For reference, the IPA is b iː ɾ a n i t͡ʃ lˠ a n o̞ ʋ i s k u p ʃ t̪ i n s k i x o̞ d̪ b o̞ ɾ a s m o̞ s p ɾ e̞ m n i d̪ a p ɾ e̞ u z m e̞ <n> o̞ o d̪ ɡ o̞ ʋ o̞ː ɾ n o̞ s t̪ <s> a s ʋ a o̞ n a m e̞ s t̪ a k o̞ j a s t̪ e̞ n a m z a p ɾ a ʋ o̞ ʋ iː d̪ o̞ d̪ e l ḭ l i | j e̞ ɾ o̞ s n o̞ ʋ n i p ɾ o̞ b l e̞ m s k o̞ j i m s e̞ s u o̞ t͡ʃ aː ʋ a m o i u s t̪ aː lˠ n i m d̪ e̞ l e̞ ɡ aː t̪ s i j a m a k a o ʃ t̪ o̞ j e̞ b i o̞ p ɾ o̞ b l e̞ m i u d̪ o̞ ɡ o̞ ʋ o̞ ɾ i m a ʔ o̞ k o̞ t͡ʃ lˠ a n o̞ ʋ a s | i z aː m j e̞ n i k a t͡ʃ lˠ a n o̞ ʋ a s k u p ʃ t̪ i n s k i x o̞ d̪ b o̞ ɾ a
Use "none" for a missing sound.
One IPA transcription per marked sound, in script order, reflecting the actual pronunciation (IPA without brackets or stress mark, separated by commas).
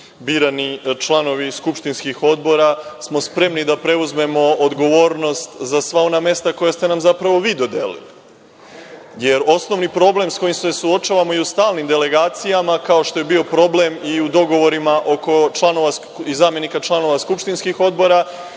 m, z